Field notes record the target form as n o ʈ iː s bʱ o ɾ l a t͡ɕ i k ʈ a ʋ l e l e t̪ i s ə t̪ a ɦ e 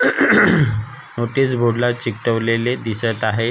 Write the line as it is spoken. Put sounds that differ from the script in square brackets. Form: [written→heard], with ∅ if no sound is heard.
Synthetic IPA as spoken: n o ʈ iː s bʱ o [ɾ→ɽ] l a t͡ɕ i k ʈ [a→ə] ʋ l e l e [t̪→d̪] i s ə t̪ a ɦ e